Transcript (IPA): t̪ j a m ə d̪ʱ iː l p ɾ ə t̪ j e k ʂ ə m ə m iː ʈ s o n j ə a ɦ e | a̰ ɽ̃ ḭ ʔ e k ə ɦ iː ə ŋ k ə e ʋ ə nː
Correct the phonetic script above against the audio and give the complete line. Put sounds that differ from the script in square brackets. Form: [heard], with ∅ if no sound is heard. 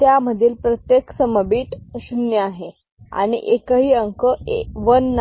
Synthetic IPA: t̪ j a m ə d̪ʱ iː l p ɾ ə t̪ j e k [s] ə m ə [b] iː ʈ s [u] n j ə a ɦ e | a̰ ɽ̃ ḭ ʔ e k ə ɦ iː ə ŋ k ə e ʋ ə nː